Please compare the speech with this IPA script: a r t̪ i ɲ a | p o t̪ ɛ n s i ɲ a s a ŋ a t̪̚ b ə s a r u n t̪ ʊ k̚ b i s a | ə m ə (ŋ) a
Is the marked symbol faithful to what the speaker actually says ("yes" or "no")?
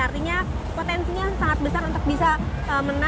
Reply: no